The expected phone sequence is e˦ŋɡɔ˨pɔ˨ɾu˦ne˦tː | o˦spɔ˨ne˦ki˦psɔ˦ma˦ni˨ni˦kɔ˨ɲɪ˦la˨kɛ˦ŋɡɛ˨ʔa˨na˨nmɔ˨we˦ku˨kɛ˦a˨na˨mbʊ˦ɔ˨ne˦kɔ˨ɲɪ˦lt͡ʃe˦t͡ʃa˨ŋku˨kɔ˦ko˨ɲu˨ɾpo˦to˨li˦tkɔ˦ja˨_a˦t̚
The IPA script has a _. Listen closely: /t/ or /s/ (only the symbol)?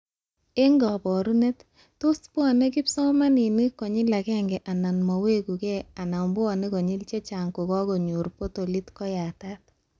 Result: t